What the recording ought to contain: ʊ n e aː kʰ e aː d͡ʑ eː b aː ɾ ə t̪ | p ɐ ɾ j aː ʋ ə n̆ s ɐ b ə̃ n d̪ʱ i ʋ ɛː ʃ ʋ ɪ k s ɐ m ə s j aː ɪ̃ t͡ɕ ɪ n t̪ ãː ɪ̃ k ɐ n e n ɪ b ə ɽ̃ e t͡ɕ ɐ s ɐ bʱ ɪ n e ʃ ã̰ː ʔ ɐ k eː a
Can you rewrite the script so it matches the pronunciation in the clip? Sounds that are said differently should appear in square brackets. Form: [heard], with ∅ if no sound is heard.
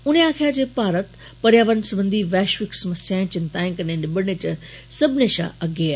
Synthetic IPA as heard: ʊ n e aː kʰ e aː d͡ʑ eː [p] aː ɾ ə t̪ | p ɐ ɾ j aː ʋ ə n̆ s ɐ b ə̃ n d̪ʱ i ʋ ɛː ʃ ʋ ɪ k s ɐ m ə s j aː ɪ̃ t͡ɕ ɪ n t̪ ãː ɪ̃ k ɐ n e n ɪ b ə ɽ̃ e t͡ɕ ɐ s ɐ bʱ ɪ n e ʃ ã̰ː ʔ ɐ [ɡ] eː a